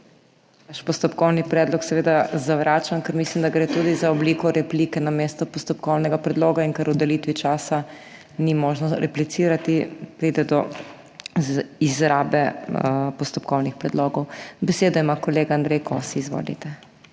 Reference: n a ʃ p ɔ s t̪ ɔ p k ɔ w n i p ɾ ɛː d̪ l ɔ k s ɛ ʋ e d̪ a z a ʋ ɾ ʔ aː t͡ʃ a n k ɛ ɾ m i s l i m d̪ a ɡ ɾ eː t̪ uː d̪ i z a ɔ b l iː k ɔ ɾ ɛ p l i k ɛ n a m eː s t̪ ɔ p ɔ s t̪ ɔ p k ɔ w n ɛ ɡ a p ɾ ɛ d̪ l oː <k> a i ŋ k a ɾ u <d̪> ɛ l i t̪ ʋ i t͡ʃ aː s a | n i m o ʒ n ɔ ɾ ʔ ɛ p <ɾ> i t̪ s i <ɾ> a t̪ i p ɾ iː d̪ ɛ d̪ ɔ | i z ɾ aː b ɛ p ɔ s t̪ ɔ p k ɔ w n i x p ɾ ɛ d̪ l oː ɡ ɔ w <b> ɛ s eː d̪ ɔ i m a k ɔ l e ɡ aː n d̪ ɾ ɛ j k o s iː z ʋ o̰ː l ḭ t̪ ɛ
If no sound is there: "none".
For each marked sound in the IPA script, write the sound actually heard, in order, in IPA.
ɡ, d̪, l, ɾ, b

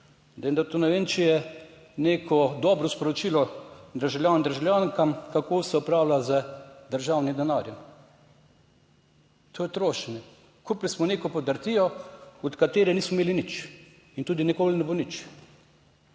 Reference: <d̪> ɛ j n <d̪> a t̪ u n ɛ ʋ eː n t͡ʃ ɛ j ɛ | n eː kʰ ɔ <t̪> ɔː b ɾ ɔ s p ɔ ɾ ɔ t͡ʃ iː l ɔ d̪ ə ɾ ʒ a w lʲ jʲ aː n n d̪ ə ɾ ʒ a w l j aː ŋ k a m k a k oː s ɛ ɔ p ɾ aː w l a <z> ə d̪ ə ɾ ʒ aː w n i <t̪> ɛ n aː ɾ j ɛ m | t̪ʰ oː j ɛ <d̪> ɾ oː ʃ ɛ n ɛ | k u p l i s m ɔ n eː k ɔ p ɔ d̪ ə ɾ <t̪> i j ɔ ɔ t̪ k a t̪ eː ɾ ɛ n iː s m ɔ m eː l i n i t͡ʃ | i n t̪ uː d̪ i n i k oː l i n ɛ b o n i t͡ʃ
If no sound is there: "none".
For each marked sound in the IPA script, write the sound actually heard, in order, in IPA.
d̪, d̪, d̪, z, d̪, t̪, t̪

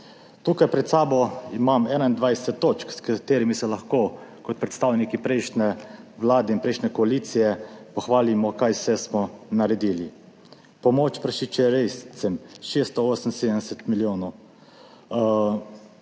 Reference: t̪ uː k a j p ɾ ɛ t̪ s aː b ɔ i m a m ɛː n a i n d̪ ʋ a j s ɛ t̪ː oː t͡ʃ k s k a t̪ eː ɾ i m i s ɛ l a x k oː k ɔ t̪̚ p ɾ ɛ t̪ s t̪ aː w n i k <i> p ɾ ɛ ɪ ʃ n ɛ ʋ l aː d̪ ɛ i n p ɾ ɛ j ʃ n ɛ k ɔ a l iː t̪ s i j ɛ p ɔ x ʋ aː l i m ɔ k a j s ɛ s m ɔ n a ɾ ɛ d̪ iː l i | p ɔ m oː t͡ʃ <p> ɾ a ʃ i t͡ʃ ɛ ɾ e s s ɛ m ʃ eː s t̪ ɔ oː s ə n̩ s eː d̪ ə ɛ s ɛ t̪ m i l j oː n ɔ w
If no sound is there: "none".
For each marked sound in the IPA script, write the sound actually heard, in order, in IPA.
i, p

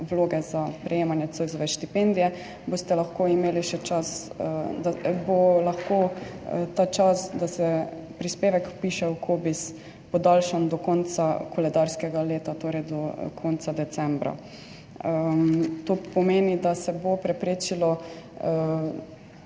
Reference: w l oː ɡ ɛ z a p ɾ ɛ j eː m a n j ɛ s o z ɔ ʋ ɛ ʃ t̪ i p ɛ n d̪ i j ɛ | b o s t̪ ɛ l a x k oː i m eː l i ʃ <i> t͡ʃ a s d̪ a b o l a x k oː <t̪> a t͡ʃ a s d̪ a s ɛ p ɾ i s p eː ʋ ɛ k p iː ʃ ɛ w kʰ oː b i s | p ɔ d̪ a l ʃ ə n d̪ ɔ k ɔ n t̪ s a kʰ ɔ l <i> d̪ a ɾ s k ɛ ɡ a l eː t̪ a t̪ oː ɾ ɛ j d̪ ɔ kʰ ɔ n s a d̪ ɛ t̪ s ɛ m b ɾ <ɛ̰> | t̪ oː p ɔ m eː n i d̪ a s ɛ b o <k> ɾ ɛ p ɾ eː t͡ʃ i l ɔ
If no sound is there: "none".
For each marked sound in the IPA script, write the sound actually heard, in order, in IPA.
ɛ, t̪, ɛ, a̰, p

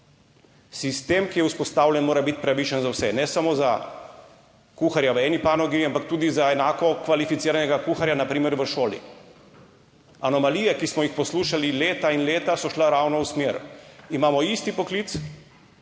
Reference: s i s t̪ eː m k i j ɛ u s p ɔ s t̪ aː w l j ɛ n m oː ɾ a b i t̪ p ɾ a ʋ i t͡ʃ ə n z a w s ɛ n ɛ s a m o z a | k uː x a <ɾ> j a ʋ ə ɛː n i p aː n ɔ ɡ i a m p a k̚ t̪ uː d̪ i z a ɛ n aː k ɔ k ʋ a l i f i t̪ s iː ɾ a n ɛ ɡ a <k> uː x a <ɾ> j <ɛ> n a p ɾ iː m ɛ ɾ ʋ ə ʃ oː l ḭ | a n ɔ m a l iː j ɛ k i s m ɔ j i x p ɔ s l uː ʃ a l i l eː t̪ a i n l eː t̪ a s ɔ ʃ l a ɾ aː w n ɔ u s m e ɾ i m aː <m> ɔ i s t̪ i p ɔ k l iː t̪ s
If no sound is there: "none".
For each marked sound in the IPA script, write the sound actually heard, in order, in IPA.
ɾ, k, ɾ, a, m

